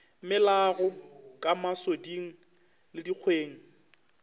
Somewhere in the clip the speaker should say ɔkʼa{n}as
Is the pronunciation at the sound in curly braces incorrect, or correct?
incorrect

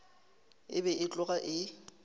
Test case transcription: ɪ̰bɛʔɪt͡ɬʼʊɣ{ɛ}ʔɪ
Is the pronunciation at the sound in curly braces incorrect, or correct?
incorrect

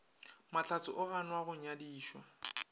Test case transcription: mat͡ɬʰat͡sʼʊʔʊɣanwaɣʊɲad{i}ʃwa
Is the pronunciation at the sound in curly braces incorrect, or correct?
incorrect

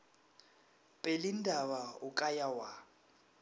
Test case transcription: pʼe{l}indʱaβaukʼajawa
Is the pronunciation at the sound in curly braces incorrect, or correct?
correct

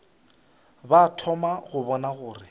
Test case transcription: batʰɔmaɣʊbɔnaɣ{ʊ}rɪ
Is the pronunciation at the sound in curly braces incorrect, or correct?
incorrect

